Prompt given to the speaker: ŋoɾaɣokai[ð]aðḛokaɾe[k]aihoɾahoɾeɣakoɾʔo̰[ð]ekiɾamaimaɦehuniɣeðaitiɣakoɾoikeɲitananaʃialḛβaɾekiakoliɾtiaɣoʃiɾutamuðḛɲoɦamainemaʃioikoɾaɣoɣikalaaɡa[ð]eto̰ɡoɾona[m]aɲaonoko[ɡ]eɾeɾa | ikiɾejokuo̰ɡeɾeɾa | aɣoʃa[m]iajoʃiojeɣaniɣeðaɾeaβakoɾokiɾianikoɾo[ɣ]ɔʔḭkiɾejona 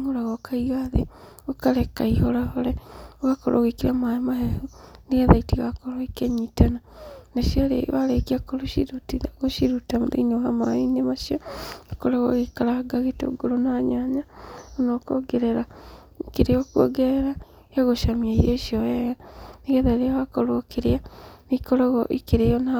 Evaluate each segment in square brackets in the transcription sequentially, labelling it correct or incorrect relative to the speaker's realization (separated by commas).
incorrect, correct, incorrect, incorrect, incorrect, correct, correct, correct